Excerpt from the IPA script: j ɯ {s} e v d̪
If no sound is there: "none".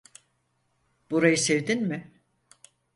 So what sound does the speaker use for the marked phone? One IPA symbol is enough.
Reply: s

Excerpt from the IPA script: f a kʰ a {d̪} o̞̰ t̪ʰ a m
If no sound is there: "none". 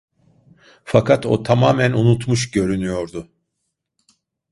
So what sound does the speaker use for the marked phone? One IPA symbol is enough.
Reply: t̪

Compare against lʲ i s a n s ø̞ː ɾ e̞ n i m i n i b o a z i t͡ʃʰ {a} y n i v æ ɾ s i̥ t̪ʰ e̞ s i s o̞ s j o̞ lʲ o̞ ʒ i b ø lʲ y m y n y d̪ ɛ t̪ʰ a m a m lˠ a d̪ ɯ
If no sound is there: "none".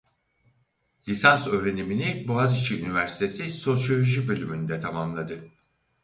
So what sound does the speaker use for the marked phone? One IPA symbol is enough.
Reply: i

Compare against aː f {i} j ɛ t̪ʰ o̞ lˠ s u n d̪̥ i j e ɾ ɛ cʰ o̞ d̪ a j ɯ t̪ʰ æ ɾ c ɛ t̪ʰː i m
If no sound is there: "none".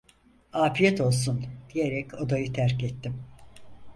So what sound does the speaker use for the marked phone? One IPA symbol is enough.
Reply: i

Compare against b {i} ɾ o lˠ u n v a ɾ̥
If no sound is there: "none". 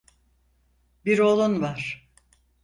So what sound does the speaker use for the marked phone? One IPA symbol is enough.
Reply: i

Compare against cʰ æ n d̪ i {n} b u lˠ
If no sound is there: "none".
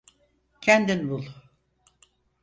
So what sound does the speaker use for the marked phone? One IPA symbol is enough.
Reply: n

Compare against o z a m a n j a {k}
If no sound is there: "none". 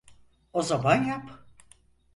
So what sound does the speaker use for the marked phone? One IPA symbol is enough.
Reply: p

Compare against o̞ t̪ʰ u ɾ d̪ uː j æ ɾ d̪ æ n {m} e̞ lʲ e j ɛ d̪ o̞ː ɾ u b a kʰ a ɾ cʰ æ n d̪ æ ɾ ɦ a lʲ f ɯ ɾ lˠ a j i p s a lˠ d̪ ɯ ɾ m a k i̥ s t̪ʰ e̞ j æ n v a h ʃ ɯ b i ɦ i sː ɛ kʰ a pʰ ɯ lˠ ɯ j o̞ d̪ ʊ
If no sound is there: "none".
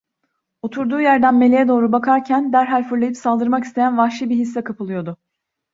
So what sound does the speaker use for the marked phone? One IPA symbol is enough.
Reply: m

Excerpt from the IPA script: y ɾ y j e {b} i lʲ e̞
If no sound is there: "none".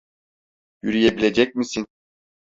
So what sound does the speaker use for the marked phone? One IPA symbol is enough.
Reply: b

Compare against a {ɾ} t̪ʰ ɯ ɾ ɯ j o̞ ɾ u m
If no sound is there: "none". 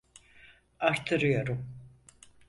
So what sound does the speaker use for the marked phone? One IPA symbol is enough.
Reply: ɾ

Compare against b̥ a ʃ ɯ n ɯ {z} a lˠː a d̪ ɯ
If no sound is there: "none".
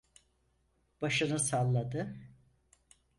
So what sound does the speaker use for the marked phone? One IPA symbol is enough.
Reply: s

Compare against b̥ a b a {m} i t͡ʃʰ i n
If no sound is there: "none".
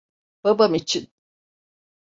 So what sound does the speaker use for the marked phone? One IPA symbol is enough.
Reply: m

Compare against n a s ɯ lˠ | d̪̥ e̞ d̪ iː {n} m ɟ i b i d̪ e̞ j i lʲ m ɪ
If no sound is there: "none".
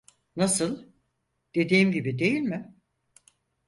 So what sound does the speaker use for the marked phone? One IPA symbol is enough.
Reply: none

